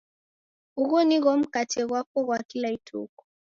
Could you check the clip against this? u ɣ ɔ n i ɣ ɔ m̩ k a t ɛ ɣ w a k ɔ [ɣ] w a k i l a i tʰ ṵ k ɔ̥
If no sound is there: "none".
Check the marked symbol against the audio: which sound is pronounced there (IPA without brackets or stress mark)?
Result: ɣ